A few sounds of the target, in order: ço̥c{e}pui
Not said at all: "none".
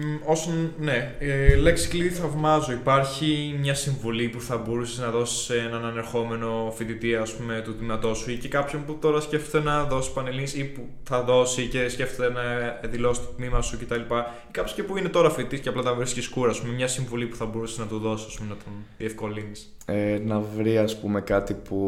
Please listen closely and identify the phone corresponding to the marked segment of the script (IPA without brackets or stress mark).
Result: e